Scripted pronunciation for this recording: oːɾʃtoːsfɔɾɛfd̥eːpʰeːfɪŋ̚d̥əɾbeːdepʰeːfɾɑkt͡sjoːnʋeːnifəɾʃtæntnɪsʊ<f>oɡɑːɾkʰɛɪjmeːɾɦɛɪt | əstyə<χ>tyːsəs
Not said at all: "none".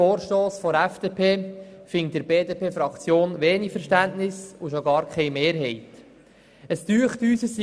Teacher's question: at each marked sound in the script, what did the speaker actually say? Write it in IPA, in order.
ʃ, χ

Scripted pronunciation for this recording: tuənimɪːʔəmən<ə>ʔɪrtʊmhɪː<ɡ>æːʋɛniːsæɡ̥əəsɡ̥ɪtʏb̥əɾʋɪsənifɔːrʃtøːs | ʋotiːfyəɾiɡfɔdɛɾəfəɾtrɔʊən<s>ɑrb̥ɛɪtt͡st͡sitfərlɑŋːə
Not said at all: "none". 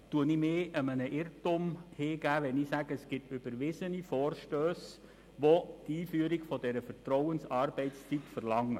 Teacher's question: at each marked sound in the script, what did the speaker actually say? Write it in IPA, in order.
ə, ɡ, s

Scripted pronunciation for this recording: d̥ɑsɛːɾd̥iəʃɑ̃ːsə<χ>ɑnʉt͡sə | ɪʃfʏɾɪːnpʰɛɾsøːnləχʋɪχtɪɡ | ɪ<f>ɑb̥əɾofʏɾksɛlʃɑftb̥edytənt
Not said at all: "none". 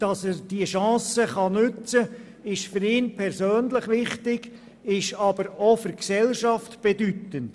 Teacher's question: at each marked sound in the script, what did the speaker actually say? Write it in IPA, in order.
χ, ʃ

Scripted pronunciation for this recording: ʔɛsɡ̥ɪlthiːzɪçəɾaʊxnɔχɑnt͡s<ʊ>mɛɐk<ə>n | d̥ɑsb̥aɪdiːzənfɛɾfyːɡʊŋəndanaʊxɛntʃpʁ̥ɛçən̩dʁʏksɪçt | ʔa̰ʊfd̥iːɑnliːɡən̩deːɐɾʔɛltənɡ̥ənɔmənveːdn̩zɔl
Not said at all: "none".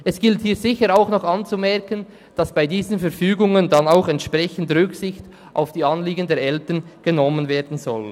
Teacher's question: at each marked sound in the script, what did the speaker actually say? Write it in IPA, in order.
u, ə

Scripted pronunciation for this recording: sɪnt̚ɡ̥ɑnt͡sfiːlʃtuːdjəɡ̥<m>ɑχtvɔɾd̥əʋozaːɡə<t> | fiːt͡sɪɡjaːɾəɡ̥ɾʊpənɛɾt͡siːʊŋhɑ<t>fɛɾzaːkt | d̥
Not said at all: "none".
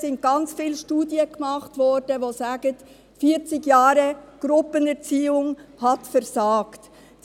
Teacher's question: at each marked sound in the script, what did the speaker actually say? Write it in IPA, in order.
m, t, t

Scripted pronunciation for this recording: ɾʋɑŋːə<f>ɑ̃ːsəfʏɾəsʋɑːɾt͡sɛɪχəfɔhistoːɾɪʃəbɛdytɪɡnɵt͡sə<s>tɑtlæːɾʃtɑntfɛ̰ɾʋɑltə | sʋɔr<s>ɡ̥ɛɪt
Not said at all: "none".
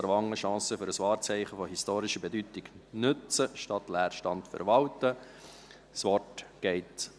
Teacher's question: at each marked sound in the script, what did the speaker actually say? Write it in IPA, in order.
ʃ, ʃ, t

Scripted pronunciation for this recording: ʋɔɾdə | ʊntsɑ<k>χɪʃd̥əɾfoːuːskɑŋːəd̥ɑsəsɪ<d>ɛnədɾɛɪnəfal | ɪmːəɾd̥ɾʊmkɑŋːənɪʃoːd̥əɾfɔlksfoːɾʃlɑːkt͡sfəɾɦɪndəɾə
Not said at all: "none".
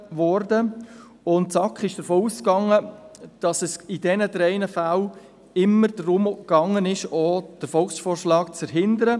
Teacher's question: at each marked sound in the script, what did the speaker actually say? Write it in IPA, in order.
k, d

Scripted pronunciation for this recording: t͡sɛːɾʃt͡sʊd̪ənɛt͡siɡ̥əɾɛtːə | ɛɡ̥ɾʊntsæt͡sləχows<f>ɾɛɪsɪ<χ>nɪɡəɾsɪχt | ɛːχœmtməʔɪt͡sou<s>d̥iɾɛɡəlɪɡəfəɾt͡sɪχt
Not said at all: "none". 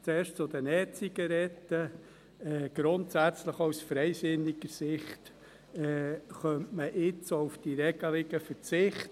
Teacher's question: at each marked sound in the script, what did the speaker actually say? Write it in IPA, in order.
f, none, f

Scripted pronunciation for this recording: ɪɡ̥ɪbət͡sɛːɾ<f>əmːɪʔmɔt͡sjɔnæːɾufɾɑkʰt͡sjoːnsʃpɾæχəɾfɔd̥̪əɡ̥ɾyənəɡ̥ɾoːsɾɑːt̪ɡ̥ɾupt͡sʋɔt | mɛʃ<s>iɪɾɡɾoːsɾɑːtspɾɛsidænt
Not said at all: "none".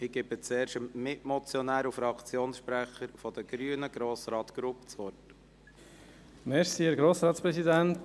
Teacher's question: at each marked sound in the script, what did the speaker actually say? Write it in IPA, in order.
ʃ, s

